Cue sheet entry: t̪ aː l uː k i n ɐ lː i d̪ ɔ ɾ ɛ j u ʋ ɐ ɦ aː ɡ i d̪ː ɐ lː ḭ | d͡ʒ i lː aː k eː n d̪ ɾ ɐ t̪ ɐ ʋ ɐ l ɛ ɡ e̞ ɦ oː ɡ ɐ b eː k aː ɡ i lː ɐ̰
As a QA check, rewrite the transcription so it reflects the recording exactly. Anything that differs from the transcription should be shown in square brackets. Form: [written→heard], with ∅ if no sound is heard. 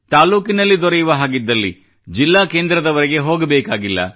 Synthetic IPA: t̪ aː l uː k i n ɐ lː i d̪ ɔ ɾ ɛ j u ʋ ɐ ɦ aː ɡ i d̪ː ɐ lː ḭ | d͡ʒ i lː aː k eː n d̪ ɾ ɐ [t̪→d̪] ɐ ʋ ɐ [l→ɾ] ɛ ɡ e̞ ɦ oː ɡ ɐ b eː k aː ɡ i lː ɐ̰